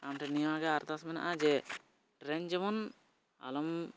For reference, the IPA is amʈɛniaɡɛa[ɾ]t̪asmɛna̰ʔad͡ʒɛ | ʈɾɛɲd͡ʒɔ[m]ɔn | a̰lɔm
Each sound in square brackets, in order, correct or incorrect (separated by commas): correct, correct